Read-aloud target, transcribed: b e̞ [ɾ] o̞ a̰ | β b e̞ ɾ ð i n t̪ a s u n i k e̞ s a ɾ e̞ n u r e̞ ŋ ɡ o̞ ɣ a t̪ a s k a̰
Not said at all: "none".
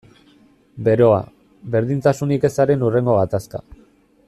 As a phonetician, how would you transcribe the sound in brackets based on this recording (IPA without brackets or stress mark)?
ɾ